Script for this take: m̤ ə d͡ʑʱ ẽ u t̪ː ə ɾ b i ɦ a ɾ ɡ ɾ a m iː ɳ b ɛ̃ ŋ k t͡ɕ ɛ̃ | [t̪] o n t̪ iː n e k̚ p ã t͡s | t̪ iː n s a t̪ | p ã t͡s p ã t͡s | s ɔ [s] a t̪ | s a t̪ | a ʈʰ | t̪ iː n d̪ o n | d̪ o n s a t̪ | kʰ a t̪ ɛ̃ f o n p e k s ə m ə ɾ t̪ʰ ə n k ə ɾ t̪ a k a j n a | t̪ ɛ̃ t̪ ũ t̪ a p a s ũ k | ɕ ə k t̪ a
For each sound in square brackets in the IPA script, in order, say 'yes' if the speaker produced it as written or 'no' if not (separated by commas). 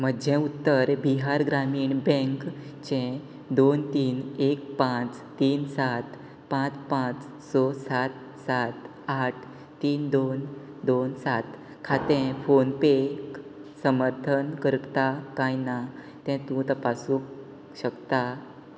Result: no, yes